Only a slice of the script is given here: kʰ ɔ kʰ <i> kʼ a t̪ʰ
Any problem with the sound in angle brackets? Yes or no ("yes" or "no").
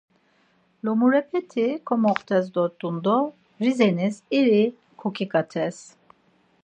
no